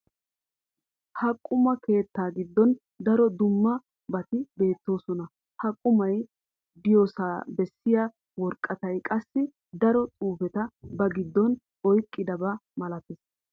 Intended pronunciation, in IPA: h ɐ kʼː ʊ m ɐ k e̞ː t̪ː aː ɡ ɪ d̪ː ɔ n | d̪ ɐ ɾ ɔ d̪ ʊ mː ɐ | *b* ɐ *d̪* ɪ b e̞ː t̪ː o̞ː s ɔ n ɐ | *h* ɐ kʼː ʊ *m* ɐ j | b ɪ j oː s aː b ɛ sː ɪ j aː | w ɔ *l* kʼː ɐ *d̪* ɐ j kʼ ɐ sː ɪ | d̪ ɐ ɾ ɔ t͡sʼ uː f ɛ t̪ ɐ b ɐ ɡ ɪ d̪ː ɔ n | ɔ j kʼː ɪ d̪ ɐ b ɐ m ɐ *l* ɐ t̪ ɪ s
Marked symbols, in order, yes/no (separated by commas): yes, no, yes, yes, no, no, yes